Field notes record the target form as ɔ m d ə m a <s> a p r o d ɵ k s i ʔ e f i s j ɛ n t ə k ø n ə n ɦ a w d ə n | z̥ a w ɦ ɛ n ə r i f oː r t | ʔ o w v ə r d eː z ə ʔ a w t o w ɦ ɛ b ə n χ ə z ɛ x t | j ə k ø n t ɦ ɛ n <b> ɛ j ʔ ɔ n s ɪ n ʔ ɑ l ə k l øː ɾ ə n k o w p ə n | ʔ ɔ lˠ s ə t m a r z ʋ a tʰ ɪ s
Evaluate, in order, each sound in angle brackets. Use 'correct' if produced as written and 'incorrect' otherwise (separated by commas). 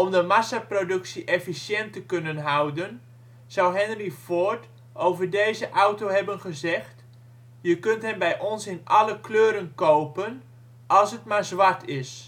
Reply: correct, correct